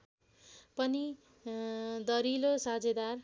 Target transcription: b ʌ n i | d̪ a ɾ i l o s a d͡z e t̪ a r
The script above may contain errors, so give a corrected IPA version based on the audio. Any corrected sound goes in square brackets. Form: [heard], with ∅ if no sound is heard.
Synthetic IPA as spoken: [p] ʌ n i | d̪ [ʌ] ɾ i l o s a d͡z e [d̪] a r

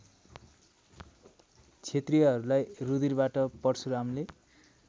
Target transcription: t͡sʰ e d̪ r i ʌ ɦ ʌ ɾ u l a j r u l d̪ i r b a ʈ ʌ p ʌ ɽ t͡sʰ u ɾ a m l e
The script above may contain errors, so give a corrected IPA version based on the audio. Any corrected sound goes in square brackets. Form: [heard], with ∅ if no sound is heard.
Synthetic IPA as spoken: t͡sʰ e [t̪] r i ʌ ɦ ʌ ɾ u l a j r u [∅] d̪ i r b a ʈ ʌ p ʌ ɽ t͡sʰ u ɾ a m l e

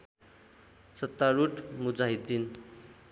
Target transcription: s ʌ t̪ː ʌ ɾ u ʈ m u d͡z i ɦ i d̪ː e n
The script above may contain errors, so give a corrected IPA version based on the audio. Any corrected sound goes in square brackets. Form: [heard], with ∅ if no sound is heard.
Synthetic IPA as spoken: s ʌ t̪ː [a] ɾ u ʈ m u d͡z [a] ɦ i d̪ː [i] n

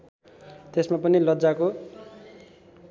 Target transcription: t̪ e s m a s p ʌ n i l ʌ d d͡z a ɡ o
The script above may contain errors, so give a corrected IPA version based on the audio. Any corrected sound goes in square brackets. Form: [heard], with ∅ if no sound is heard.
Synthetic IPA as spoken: t̪ e s m a [∅] p ʌ n i l ʌ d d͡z a [k] o

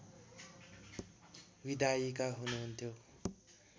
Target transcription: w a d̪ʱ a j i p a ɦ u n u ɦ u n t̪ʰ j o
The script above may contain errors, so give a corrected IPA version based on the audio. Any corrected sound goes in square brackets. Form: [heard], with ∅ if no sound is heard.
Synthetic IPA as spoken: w [i] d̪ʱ a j i [k] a ɦ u n u ɦ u n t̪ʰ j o

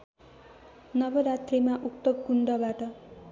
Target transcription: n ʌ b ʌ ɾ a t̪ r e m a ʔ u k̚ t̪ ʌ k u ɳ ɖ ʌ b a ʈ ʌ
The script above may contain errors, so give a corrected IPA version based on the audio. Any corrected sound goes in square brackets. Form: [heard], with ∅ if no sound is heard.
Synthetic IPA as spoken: n ʌ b ʌ ɾ a t̪ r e m a ʔ u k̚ t̪ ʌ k u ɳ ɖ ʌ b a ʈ ʌ

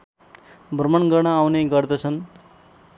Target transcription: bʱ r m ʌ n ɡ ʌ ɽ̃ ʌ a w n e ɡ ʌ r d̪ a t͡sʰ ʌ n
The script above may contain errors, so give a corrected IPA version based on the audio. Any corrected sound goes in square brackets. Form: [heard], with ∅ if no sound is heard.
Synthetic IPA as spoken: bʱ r m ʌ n ɡ ʌ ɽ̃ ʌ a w n e ɡ ʌ r d̪ [ʌ] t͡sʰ ʌ n

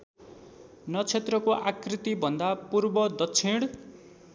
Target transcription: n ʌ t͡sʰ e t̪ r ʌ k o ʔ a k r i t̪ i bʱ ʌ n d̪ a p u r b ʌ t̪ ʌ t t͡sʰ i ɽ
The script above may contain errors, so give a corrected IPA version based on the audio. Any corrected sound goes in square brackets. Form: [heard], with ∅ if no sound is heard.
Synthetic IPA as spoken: n ʌ t͡sʰ e t̪ r ʌ k o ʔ a k r i t̪ i bʱ ʌ n d̪ a p u r b ʌ [d̪] ʌ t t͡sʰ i ɽ

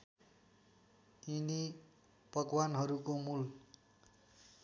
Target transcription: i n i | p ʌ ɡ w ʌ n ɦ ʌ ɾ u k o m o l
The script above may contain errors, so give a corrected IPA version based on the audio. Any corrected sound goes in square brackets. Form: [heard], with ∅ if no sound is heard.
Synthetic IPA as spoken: i n i | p ʌ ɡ w [a] n ɦ ʌ ɾ u k o m [u] l

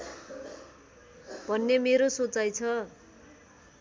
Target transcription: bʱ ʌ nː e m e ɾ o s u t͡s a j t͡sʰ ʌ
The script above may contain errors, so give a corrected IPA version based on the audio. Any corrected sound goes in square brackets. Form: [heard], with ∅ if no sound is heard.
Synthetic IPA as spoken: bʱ ʌ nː e m e ɾ o s [o] t͡s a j t͡sʰ ʌ

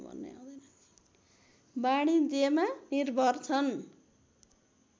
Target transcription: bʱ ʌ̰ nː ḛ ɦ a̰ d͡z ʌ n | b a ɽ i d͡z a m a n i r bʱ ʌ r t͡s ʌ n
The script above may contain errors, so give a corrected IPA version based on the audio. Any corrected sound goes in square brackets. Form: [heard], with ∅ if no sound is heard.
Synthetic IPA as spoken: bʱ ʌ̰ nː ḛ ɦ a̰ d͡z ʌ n | b a ɽ i d͡z [e] m a n i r bʱ ʌ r [t͡sʰ] ʌ n

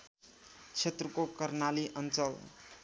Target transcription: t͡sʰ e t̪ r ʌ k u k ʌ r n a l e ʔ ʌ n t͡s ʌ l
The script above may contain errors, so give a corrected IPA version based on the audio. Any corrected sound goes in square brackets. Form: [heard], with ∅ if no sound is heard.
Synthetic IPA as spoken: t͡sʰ e t̪ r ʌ k [o] k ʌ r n a l [i] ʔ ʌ n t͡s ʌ l

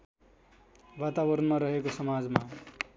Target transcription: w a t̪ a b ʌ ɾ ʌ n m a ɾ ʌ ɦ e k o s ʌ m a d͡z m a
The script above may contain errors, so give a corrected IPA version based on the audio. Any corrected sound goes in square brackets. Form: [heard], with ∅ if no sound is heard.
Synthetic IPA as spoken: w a t̪ a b ʌ ɾ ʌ n m a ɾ ʌ ɦ e k o s ʌ m a d͡z m a

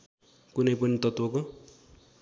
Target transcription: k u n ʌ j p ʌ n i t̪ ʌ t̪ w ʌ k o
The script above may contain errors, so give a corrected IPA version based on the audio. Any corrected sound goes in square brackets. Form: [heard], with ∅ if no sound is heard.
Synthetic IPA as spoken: k u n ʌ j p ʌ n i t̪ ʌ t̪ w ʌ k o

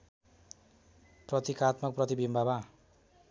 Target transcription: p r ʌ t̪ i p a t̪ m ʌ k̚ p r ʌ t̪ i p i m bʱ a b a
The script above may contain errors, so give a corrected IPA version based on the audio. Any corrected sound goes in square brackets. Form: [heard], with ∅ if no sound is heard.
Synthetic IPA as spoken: p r ʌ t̪ i [k] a t̪ m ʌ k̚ p r ʌ t̪ i [b] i m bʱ a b a

